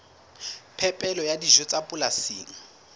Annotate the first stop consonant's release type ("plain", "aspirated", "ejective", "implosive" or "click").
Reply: aspirated